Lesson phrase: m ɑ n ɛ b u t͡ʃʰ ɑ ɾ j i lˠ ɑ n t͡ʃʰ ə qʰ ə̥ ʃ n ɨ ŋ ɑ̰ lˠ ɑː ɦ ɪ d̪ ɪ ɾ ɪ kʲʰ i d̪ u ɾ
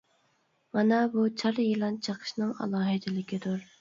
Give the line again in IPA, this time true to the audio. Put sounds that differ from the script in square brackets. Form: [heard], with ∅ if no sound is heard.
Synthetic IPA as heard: m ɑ n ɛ b u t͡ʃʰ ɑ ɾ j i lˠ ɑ n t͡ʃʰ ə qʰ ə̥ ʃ n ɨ ŋ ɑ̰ lˠ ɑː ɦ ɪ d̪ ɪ [l] ɪ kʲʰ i d̪ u ɾ